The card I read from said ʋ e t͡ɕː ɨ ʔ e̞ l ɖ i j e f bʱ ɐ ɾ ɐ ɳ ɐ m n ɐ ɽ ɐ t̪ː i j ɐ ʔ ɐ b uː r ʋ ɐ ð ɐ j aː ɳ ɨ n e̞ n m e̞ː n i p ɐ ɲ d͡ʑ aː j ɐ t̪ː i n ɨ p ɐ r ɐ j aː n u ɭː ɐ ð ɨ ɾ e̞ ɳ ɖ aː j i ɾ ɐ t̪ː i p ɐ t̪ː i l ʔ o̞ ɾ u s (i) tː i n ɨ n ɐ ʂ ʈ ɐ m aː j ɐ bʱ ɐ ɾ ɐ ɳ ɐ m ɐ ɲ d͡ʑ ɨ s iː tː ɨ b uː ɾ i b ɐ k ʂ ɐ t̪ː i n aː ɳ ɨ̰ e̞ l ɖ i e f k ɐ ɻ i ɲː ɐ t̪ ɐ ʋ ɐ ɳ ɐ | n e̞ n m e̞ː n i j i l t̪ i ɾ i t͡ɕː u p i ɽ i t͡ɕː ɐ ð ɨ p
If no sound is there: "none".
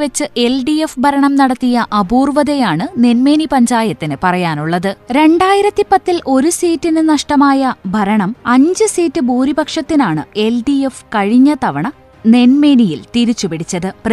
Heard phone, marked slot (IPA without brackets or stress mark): iː